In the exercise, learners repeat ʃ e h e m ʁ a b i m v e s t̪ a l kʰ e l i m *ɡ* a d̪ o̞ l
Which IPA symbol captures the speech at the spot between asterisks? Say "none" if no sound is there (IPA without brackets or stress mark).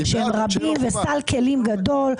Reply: ɡ